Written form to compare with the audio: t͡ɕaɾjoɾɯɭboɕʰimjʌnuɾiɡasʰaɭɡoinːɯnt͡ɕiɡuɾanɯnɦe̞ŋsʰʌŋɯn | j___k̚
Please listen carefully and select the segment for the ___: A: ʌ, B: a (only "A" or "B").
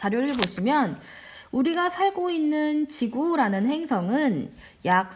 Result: B